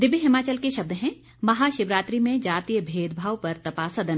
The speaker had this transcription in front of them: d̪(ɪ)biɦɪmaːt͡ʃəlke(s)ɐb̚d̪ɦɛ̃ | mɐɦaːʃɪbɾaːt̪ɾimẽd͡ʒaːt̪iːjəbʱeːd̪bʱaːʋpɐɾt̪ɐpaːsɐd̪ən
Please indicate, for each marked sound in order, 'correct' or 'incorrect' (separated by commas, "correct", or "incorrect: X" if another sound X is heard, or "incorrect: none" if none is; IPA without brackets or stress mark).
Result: correct, incorrect: ʃ